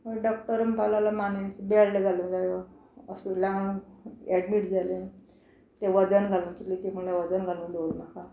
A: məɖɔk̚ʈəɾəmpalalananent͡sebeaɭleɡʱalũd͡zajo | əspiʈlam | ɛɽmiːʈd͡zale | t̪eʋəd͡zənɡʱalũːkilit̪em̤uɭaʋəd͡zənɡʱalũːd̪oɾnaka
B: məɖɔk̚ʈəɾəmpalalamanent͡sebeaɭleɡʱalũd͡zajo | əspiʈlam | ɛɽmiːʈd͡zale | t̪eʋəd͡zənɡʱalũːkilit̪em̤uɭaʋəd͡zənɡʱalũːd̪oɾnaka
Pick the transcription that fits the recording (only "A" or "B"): B